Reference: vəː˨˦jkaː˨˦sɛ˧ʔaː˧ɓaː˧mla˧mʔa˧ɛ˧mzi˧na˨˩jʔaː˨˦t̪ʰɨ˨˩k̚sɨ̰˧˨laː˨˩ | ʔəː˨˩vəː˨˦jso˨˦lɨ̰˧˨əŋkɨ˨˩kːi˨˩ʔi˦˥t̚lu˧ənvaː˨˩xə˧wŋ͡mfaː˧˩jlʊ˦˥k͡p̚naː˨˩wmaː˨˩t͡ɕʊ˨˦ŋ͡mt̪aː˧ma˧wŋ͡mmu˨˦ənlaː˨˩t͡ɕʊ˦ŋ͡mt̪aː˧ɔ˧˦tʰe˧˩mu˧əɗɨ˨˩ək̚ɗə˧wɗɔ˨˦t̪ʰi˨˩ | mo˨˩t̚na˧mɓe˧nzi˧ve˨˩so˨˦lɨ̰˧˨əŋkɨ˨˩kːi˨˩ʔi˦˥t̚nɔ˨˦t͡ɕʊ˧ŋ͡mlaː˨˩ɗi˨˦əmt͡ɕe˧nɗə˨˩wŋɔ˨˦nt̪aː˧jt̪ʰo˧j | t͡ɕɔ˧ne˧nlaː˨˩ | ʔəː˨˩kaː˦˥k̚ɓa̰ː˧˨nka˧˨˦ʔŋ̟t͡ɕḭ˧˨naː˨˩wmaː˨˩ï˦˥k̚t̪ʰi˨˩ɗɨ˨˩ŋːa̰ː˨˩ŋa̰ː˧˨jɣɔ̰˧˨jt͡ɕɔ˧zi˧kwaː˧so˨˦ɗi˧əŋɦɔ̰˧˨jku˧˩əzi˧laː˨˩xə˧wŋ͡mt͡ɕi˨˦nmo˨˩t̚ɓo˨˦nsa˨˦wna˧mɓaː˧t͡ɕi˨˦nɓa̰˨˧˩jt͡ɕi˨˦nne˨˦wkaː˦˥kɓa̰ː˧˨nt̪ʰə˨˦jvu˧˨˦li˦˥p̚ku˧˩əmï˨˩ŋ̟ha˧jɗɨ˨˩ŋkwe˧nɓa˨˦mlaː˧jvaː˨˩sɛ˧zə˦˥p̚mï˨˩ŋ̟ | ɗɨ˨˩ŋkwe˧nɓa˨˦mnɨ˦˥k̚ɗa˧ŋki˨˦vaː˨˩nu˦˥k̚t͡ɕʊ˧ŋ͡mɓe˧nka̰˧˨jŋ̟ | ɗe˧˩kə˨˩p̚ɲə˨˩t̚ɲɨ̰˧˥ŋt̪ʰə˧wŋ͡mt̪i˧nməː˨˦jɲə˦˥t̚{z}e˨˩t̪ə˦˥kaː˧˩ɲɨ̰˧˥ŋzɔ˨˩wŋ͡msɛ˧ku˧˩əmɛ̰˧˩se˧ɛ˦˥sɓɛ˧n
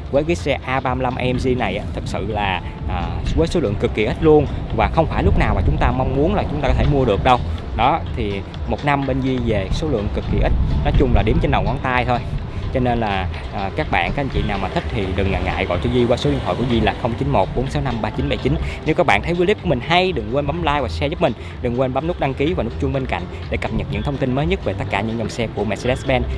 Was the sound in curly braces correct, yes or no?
no